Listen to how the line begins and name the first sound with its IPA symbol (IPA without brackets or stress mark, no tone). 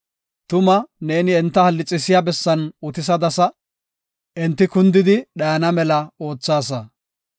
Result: t̪